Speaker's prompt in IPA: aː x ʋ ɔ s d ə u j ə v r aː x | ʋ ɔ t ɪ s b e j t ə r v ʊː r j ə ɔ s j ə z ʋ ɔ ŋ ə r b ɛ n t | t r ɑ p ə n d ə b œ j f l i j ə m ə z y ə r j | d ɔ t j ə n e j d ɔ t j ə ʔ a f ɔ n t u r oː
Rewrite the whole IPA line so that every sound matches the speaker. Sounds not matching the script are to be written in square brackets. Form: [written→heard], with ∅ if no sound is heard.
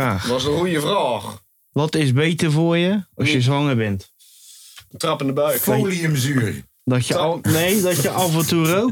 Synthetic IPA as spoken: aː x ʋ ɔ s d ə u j ə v r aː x | ʋ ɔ t ɪ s b e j t ə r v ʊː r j ə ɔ s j ə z ʋ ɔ ŋ ə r b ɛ n t | t r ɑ p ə n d ə b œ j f l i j ə m ə z y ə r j | d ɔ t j ə n e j d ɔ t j ə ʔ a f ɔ n t u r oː